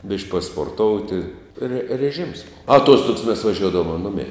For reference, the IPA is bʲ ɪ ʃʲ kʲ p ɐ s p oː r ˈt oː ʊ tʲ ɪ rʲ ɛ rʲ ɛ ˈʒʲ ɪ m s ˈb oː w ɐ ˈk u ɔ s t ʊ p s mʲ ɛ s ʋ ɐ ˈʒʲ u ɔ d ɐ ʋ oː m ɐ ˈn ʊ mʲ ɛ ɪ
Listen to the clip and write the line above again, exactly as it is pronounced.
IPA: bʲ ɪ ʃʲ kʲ p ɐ s p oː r ˈt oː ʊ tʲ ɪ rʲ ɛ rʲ ɛ ˈʒʲ ɪ m s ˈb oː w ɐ ˈt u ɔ s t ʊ k s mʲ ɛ s ʋ ɐ ˈʒʲ u ɔ d ɐ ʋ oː m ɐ ˈn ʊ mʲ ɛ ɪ